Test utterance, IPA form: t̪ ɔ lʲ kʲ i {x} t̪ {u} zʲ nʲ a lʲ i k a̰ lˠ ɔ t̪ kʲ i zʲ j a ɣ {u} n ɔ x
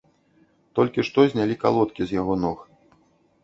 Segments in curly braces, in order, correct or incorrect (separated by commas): incorrect, incorrect, incorrect